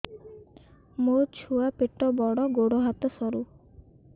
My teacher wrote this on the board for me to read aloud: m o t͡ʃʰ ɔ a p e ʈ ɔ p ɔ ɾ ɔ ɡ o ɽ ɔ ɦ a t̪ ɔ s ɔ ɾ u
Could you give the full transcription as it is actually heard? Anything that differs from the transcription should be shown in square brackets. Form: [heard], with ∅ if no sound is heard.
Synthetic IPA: m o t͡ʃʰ [u] a p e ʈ ɔ [b] ɔ [ɽ] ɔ ɡ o ɽ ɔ ɦ a t̪ ɔ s ɔ ɾ u